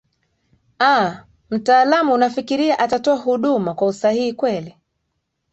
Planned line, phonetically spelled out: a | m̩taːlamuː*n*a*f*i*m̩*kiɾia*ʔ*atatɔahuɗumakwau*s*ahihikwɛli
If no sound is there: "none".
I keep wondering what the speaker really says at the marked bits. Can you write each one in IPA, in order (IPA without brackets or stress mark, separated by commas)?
n, f, none, ʔ, s